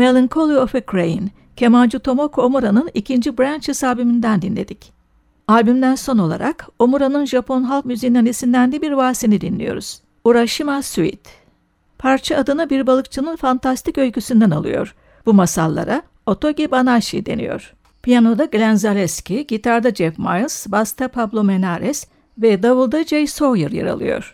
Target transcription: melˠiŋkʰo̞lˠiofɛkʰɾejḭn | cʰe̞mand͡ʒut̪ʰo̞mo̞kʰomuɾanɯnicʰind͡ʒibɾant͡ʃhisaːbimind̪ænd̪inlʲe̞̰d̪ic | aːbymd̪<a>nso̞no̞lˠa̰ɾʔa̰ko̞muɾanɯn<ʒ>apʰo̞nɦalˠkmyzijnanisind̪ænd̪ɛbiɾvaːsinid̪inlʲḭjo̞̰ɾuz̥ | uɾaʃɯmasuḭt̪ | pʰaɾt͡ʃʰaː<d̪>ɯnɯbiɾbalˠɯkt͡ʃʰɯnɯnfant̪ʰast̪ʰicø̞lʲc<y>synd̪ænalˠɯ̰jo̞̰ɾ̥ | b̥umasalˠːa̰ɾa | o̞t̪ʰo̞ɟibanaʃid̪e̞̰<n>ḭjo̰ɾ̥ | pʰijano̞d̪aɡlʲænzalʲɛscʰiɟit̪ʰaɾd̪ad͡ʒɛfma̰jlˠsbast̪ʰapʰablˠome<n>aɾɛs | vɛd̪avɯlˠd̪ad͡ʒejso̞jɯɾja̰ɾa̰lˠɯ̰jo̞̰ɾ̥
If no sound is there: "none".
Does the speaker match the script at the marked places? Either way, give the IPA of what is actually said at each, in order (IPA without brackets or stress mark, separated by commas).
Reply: æ, ʒ, d̪, y, n, n